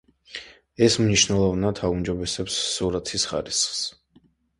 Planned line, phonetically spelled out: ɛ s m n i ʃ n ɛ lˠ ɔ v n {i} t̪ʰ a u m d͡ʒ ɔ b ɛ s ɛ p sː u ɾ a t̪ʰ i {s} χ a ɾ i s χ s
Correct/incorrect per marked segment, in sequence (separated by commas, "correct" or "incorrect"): incorrect, correct